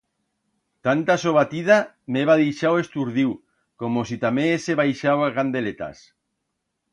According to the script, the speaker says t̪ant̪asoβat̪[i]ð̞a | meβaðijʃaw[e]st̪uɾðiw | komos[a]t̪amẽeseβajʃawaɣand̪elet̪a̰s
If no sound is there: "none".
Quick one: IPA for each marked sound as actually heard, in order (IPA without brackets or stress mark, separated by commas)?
i, e, i